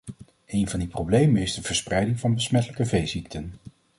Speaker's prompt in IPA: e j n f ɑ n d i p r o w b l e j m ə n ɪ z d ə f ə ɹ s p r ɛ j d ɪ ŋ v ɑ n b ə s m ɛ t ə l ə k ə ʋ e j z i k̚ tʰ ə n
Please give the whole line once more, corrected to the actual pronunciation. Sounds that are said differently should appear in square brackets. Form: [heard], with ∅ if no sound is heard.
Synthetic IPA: e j n [v] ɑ n d i p r o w b l e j m ə n ɪ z d ə [v] ə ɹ s p r ɛ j d ɪ ŋ v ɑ n b ə s m ɛ t ə l ə k ə [v] e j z i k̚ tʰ ə n